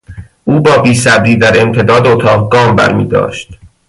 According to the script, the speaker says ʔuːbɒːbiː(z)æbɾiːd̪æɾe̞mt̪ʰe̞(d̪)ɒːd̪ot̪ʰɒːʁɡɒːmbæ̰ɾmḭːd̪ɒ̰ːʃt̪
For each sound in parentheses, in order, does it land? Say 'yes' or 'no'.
no, yes

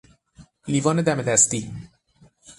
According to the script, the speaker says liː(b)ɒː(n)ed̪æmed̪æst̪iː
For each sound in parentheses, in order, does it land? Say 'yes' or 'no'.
no, yes

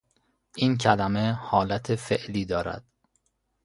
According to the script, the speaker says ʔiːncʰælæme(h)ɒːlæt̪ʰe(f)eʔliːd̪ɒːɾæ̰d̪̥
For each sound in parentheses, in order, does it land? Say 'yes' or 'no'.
yes, yes

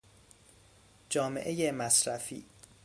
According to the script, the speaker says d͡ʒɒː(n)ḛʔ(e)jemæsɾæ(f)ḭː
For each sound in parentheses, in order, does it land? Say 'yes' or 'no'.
no, yes, yes

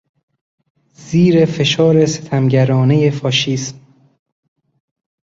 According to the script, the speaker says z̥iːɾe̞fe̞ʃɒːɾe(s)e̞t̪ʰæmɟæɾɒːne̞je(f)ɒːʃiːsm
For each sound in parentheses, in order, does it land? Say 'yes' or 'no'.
yes, yes

